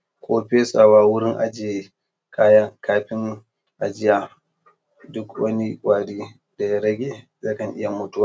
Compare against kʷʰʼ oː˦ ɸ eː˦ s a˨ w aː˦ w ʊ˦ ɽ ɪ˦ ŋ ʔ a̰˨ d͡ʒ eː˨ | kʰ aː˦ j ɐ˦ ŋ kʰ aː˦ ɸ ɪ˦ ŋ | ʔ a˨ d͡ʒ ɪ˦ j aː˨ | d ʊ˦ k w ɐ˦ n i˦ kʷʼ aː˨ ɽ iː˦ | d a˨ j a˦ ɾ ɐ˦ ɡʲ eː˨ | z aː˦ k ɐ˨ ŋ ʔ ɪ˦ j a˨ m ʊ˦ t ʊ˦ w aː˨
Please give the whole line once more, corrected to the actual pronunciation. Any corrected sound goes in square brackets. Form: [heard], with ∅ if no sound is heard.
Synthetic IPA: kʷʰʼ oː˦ ɸ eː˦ s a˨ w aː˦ w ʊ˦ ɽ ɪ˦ ŋ ʔ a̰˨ d͡ʒ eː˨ | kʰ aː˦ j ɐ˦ ŋ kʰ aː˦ ɸ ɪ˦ ŋ | ʔ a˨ d͡ʒ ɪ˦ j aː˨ | d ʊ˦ k w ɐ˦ n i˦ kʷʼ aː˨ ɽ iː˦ | d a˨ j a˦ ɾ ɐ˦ ɡʲ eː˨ | z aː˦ k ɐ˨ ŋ ʔ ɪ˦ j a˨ m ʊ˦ t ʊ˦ w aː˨